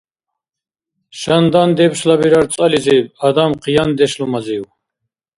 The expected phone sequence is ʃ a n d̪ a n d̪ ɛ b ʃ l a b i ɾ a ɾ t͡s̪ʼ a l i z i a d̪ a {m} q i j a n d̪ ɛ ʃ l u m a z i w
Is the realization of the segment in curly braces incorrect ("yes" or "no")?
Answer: no